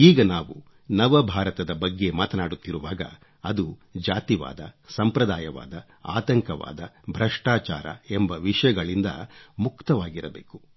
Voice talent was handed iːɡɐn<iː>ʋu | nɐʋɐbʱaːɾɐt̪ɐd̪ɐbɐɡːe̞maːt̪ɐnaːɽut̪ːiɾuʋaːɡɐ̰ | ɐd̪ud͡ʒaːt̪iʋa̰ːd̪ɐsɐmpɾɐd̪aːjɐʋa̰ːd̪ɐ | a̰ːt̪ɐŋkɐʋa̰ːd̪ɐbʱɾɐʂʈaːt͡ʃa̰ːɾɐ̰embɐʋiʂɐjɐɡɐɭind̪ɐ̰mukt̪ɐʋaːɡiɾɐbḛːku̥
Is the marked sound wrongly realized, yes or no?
yes